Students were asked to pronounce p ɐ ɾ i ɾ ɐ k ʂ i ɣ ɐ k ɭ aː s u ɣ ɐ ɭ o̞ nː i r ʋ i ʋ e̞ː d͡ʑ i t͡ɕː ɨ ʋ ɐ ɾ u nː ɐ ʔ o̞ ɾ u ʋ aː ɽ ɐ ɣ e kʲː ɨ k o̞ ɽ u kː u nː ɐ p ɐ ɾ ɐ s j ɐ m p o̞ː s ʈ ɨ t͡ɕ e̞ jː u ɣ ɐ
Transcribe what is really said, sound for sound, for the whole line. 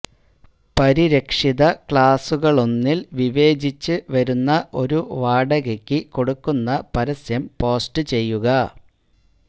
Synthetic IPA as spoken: p ɐ ɾ i ɾ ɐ k ʂ i ð ɐ k ɭ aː s u ɣ ɐ ɭ o̞ nː i l ʋ i ʋ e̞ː d͡ʑ i t͡ɕː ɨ ʋ ɐ ɾ u nː ɐ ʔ o̞ ɾ u ʋ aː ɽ ɐ ɣ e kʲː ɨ k o̞ ɽ u kː u nː ɐ p ɐ ɾ ɐ s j ɐ m p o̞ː s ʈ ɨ t͡ɕ e̞ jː u ɣ ɐ

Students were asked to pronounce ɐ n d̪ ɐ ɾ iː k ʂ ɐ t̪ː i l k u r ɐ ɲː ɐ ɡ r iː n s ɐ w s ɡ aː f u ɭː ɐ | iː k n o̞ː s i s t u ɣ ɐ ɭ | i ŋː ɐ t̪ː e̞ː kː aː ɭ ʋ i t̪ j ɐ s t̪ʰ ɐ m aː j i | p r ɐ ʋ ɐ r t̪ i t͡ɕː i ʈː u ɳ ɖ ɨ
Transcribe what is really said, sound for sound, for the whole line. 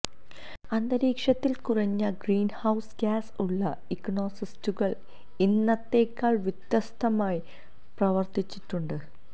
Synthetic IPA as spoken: ɐ n d̪ ɐ ɾ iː k ʂ ɐ t̪ː i l k u r ɐ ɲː ɐ ɡ r iː n h ɐ w s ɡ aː s u ɭː ɐ | i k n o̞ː s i s t u ɣ ɐ ɭ | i nː ɐ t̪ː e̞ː kː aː ɭ ʋ i t̪ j ɐ s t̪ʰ ɐ m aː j i | p r ɐ ʋ ɐ r t̪ i t͡ɕː i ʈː u ɳ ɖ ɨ

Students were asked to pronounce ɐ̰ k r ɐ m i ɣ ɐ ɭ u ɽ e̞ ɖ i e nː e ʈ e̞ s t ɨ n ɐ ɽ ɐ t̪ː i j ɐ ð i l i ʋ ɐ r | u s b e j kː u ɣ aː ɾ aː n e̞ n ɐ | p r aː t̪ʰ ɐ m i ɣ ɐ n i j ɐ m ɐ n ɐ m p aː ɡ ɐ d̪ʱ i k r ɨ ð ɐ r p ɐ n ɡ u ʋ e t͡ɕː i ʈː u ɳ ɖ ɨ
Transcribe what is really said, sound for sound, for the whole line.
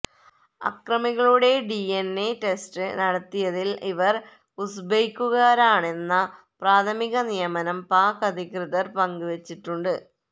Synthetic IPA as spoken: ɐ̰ k r ɐ m i ɣ ɐ ɭ u ɽ e̞ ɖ i e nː e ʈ e̞ s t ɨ n ɐ ɽ ɐ t̪ː i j ɐ ð i l i ʋ ɐ r | u s b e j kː u ɣ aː ɾ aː ɳ e̞ nː ɐ | p r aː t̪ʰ ɐ m i ɣ ɐ n i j ɐ m ɐ n ɐ m p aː k ɐ d̪ʱ i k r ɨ ð ɐ r p ɐ ŋ ɡ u ʋ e t͡ɕː i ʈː u ɳ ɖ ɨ

